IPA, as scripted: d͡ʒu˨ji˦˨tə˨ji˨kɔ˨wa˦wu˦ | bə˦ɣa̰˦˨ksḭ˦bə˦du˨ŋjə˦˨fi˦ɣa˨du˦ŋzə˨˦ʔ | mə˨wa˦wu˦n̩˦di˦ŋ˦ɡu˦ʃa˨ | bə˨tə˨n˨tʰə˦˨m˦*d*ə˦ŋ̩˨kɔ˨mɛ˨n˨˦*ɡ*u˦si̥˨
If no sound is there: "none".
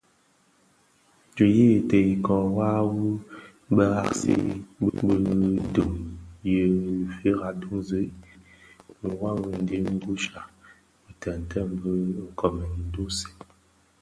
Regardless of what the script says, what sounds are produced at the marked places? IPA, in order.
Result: b, d

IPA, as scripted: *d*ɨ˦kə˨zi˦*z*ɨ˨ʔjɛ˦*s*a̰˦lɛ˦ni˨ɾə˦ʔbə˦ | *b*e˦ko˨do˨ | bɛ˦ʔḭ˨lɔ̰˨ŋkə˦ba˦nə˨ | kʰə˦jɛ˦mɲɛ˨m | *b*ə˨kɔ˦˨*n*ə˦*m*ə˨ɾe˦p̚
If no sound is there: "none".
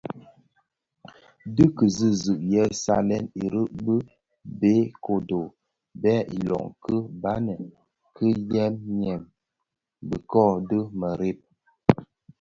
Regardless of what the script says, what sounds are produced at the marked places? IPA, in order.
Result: d, z, s, b, b, d, m

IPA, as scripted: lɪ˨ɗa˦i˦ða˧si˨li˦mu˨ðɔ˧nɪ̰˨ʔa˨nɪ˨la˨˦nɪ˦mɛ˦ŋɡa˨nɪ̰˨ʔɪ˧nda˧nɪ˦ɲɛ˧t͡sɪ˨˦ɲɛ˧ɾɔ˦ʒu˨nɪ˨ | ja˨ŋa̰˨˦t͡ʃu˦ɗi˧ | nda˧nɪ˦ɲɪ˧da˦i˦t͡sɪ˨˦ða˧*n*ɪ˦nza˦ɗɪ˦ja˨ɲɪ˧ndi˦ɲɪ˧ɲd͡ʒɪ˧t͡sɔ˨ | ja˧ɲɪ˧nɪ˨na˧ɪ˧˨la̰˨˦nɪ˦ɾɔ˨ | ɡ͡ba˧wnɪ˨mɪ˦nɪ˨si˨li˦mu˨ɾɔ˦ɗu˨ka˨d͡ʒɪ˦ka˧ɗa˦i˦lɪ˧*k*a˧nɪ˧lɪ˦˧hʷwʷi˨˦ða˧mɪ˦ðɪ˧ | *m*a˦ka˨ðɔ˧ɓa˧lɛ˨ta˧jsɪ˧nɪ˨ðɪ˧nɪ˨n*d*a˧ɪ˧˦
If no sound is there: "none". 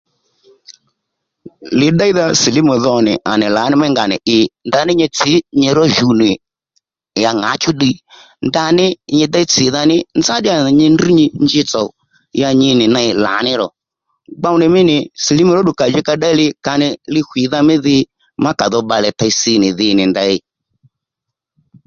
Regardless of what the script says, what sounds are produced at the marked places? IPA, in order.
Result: n, k, m, d

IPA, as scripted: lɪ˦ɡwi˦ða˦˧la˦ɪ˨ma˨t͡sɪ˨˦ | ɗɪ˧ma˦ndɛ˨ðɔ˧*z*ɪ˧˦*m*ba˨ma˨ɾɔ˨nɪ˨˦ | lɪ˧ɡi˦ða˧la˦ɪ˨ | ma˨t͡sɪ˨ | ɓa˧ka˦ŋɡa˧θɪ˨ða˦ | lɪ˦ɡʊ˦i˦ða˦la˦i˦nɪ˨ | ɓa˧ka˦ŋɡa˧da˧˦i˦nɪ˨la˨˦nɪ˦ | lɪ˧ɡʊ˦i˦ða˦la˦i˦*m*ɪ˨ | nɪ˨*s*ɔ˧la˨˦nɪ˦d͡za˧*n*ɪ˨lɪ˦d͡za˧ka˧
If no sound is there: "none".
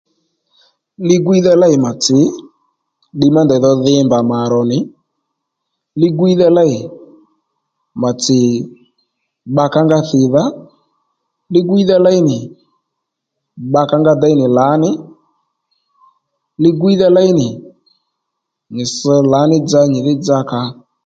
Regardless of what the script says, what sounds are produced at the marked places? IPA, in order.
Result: ð, m, n, s, ɲ

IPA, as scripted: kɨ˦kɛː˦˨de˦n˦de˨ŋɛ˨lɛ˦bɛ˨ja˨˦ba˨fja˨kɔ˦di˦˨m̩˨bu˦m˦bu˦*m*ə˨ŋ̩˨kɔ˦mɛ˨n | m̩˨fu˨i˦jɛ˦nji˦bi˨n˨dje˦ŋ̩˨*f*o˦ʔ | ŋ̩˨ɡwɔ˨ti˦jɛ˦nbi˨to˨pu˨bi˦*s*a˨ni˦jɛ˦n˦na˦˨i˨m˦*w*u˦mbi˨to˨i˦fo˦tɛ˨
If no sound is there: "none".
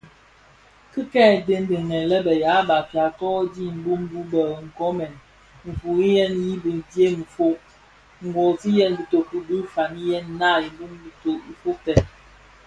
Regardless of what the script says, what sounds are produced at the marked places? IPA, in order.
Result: b, f, f, b

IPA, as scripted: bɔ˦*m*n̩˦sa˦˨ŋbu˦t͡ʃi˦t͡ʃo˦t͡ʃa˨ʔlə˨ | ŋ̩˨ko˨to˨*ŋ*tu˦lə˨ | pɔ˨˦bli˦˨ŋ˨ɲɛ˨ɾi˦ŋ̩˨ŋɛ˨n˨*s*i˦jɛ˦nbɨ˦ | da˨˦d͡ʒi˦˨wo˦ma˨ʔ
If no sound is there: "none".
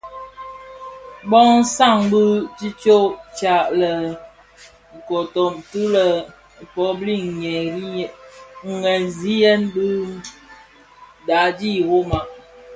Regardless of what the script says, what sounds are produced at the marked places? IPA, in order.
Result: ŋ, m, z

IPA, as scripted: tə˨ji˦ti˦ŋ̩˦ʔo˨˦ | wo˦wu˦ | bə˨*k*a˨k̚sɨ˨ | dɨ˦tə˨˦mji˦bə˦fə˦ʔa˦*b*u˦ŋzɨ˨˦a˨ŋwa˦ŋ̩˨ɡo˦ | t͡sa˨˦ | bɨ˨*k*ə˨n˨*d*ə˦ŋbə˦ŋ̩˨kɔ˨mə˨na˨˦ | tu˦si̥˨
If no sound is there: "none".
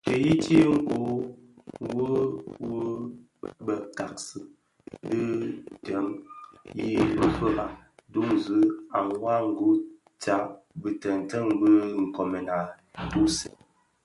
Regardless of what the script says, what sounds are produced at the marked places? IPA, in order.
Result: k, d, t, t

